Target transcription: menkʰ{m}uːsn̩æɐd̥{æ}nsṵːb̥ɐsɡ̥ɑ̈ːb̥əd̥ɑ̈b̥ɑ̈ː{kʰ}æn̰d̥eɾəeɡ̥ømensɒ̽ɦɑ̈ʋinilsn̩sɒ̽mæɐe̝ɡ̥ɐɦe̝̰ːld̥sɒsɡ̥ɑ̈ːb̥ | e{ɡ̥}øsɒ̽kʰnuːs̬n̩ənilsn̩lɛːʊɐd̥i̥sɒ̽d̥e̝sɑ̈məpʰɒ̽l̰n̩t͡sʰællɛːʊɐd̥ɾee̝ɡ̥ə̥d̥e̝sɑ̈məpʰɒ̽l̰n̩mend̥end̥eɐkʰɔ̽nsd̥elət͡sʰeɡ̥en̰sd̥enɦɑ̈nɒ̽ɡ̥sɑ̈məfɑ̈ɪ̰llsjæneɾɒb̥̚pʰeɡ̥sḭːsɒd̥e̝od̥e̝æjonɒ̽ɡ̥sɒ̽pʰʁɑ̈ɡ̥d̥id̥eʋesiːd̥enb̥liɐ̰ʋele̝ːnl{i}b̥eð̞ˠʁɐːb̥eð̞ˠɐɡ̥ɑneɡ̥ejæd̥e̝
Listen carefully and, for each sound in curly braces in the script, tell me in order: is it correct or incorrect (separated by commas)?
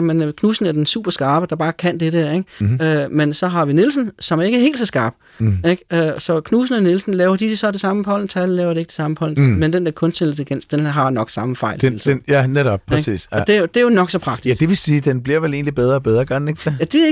incorrect, incorrect, correct, correct, correct